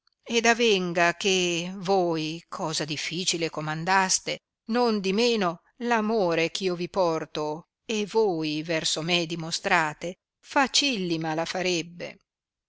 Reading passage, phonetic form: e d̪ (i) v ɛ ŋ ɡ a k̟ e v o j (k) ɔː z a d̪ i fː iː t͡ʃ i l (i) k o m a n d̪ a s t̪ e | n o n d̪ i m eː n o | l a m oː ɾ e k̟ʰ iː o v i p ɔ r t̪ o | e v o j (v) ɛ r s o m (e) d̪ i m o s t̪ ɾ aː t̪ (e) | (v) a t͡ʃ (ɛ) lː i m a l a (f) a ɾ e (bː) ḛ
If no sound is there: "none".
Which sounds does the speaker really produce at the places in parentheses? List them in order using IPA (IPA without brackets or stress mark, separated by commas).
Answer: a, kʰ, e, v, e, e, f, i, f, bː